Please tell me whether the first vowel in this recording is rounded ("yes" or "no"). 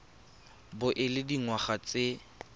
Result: yes